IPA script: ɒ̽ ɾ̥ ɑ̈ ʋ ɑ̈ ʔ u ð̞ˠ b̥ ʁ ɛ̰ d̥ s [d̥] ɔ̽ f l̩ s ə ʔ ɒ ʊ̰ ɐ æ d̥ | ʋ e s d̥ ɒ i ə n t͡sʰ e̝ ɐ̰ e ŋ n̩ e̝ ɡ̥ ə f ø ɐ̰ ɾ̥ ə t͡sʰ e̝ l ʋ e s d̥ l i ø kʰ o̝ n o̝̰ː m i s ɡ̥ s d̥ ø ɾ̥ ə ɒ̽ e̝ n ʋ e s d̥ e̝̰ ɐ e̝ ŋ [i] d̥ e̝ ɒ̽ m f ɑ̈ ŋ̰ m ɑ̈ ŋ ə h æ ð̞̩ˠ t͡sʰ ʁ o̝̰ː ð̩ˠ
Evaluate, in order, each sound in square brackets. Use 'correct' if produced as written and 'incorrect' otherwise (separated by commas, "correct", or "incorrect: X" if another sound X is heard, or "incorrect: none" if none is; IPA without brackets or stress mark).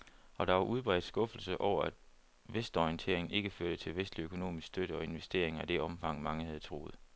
incorrect: ɡ̥, incorrect: æ